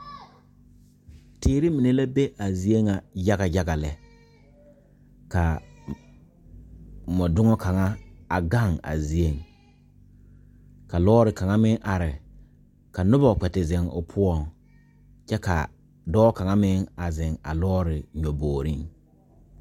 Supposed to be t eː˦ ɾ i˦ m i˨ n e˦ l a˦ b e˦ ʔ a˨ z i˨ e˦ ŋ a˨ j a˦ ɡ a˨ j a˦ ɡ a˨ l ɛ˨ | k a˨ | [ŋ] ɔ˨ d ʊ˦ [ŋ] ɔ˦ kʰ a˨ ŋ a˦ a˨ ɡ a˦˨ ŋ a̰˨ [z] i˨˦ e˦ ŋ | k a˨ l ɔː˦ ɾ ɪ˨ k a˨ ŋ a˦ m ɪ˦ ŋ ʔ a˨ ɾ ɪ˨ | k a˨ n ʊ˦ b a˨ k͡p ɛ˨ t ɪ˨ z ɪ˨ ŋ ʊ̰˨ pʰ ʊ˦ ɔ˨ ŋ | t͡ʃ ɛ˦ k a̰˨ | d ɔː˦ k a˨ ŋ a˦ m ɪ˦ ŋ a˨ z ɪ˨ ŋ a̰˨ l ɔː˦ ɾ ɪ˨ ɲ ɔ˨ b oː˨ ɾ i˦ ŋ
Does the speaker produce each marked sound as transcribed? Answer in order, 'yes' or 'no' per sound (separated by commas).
no, yes, yes